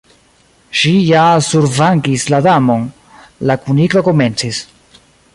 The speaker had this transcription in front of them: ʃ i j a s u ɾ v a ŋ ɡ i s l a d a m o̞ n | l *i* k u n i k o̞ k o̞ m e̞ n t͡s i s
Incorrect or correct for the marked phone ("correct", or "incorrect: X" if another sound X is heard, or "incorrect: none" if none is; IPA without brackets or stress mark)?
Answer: incorrect: a